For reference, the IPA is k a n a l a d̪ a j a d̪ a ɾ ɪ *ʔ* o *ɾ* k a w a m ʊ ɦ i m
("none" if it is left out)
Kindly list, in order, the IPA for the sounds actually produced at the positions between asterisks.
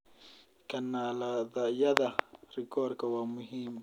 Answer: k, ɾ

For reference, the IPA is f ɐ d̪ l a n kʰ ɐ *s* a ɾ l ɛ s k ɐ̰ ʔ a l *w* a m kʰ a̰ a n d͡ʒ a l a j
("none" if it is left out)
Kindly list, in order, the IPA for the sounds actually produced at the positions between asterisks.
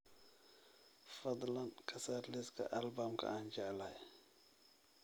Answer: s, b

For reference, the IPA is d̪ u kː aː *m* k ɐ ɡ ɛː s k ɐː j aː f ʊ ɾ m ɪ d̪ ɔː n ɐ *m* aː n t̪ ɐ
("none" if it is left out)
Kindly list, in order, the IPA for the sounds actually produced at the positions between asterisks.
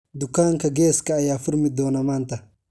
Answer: ŋ, m

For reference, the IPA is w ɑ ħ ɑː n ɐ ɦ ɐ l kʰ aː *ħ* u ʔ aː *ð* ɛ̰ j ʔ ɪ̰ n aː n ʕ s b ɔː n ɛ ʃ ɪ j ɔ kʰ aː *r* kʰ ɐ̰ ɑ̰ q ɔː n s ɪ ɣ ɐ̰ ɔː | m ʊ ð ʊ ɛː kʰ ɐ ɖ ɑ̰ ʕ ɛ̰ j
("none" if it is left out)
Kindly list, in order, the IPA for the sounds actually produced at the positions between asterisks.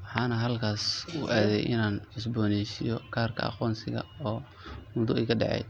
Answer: s, ð, r

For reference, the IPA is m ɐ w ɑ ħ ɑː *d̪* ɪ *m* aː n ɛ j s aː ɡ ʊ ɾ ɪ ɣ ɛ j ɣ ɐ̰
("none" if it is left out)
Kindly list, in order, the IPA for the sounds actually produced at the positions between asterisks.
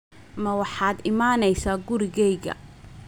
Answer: d̪, m

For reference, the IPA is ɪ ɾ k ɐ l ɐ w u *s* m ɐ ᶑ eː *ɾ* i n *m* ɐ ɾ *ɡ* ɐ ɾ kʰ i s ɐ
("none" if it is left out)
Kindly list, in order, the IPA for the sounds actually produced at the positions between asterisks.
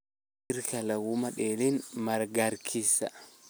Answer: none, l, m, ɡ

